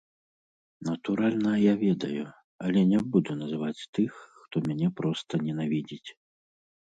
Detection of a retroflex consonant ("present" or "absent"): absent